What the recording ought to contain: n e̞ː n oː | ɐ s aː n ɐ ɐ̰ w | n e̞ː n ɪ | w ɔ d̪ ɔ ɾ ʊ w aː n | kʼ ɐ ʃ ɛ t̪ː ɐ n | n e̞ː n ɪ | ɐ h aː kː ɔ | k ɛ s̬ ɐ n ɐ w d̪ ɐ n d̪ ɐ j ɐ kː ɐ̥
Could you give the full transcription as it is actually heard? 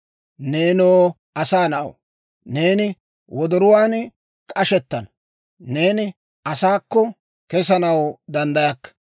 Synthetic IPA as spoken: n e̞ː n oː | ɐ s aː n ɐ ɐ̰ w | n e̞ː n ɪ | w ɔ d̪ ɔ ɾ ʊ w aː n | kʼ ɐ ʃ ɛ t̪ː ɐ n | n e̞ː n ɪ | ɐ s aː kː ɔ | k ɛ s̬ ɐ n ɐ w d̪ ɐ n d̪ ɐ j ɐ kː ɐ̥